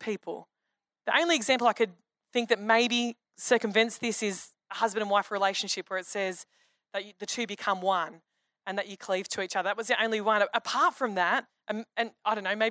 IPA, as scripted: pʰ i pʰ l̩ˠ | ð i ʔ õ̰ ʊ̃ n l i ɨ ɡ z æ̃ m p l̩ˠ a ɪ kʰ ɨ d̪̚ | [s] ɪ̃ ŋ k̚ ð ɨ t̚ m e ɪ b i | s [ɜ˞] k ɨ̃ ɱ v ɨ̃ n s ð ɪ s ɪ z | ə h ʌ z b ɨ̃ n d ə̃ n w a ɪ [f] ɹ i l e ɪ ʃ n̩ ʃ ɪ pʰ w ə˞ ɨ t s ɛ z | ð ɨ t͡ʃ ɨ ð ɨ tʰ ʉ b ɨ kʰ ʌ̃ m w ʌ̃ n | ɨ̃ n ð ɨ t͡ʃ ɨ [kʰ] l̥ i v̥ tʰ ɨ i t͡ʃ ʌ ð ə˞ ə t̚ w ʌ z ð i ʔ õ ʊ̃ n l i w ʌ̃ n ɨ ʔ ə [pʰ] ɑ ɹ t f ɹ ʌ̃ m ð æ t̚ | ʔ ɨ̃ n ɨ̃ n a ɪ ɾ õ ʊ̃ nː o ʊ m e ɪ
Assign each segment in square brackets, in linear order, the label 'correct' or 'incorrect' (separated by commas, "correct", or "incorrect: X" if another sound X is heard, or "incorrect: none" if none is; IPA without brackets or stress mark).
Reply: incorrect: θ, correct, correct, correct, correct